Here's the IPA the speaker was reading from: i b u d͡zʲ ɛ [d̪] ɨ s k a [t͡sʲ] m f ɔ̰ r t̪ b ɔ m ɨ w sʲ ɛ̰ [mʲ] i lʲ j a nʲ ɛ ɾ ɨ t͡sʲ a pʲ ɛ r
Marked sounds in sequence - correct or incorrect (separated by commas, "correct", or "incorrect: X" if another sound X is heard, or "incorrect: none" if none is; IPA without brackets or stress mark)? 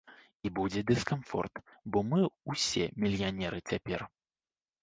correct, incorrect: none, correct